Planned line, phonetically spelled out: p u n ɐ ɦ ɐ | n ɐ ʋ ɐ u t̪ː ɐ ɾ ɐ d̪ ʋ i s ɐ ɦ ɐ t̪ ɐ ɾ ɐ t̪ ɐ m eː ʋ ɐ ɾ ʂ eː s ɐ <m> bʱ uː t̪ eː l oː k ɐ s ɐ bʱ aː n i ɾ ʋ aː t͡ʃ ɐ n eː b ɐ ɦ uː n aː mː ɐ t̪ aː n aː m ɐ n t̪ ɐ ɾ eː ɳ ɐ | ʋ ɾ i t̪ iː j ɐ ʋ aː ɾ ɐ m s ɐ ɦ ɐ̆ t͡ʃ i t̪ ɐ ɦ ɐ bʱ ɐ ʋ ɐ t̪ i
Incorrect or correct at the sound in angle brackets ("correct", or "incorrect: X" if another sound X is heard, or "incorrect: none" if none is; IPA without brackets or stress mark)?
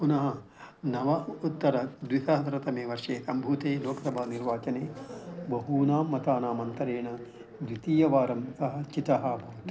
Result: correct